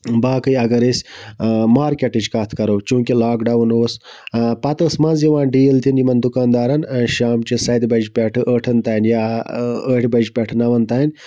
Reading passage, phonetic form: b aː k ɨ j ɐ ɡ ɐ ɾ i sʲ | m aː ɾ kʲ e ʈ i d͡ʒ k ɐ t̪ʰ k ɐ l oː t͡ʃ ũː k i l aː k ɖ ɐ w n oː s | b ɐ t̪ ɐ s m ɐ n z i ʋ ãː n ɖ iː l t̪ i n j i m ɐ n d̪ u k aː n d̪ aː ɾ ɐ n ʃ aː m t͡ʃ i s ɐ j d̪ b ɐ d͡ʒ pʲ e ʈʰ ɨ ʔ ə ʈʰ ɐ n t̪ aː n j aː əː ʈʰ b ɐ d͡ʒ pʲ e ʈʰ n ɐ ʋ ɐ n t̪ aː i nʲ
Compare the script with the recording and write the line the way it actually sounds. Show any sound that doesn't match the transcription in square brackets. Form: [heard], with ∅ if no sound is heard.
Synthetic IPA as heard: b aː k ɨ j ɐ ɡ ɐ ɾ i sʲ | m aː ɾ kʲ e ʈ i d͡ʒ k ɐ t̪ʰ k ɐ [ɾ] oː t͡ʃ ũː k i l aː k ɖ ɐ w n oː s | [p] ɐ t̪ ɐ s m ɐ n z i ʋ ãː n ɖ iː l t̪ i n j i m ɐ n d̪ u k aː n d̪ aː ɾ ɐ n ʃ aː m t͡ʃ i s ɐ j d̪ b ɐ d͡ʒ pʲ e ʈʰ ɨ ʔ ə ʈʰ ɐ n t̪ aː n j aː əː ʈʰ b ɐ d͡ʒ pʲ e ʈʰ n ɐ ʋ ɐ n t̪ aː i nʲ